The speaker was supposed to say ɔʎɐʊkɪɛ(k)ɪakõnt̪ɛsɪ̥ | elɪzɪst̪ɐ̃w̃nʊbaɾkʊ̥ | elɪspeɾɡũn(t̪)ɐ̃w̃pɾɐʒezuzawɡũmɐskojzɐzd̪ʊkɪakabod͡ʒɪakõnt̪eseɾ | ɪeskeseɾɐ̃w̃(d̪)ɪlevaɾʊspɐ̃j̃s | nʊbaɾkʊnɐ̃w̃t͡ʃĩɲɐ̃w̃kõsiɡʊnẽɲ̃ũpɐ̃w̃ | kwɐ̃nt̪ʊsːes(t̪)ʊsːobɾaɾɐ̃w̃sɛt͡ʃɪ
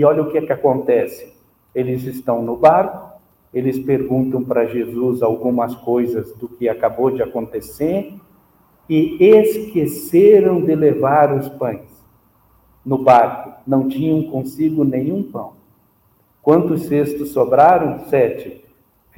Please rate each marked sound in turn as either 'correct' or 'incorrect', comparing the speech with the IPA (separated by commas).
correct, correct, correct, correct